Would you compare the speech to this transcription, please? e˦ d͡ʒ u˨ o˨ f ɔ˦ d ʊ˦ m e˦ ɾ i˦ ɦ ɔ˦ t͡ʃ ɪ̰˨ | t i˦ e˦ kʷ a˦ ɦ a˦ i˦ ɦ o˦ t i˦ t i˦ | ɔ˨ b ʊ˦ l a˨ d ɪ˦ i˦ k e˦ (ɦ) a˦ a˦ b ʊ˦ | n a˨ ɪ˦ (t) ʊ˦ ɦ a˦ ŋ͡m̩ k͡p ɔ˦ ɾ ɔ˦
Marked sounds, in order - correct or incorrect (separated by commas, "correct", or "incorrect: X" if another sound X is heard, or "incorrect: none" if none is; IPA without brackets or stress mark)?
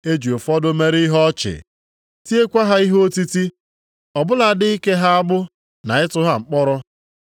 correct, correct